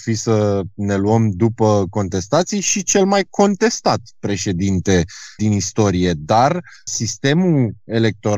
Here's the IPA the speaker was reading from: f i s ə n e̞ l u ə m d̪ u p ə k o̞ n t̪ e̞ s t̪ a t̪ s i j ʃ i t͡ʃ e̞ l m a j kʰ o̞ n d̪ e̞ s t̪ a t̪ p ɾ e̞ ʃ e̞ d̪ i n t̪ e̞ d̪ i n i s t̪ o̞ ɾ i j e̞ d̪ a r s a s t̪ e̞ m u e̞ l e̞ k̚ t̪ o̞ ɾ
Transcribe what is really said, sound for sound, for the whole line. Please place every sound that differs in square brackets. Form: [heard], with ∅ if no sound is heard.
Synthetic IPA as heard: f i s ə n e̞ l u ə m d̪ u p ə k o̞ n t̪ e̞ s t̪ a t̪ s i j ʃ i t͡ʃ e̞ l m a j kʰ o̞ n [t̪] e̞ s t̪ a t̪ p ɾ e̞ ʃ e̞ d̪ i n t̪ e̞ d̪ i n i s t̪ o̞ ɾ i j e̞ d̪ a r s [i] s t̪ e̞ m u e̞ l e̞ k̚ t̪ o̞ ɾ